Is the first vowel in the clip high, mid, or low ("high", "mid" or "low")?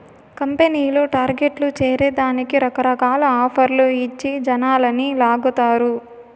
low